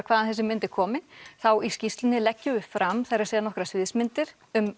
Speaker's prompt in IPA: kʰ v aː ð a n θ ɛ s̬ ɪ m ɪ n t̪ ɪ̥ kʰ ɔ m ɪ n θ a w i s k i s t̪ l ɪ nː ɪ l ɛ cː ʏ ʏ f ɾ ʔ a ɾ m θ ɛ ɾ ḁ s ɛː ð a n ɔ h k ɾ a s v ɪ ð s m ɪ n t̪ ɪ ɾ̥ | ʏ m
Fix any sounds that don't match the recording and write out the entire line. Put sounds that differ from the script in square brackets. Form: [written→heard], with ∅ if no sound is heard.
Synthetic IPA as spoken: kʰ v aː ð a n θ ɛ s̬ ɪ m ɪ n t̪ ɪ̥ kʰ [ɔ→ɔː] m ɪ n θ a w i s [k→c] i s t̪ l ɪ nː ɪ l ɛ cː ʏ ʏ f ɾ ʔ a [ɾ→∅] m θ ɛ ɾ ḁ s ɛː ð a n ɔ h k ɾ a s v ɪ ð s m ɪ n t̪ ɪ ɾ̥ | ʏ m